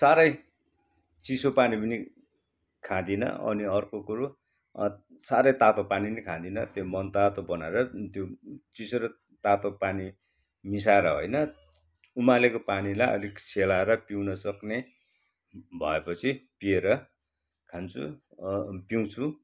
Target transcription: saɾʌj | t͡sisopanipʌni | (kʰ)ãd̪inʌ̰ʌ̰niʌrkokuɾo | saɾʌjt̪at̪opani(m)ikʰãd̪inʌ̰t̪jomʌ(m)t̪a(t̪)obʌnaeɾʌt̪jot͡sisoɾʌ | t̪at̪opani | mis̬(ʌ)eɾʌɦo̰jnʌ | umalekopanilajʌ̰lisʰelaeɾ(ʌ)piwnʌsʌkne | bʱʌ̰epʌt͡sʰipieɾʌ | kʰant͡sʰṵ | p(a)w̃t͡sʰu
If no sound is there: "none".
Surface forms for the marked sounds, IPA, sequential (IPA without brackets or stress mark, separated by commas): kʰ, n, n, t̪, a, ʌ, i